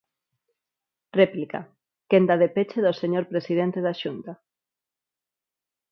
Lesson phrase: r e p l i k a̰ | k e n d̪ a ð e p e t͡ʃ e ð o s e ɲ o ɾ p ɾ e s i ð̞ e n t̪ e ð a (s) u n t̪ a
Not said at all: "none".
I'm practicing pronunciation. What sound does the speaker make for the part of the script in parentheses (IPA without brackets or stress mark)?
ʃ